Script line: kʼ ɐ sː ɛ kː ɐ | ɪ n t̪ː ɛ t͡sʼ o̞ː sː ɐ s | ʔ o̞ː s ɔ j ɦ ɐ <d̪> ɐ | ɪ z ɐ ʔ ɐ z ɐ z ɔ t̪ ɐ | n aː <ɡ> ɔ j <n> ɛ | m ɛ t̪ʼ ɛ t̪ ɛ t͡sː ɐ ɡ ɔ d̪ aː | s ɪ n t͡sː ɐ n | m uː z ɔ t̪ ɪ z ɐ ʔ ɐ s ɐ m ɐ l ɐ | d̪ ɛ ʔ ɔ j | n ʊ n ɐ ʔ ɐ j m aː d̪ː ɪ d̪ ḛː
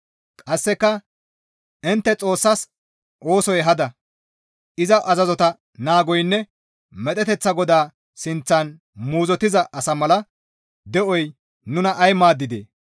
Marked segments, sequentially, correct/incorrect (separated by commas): correct, correct, incorrect